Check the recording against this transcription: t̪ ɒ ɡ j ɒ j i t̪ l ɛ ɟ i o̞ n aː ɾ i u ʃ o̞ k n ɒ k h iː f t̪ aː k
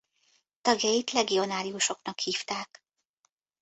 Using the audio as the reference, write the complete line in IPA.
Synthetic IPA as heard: t̪ ɒ ɡ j ɒ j i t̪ l ɛ ɡ i o̞ n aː ɾ i u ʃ o̞ k n ɒ k h iː f t̪ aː k